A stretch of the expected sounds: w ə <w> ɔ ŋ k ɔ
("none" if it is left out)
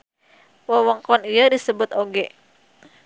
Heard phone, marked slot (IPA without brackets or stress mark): w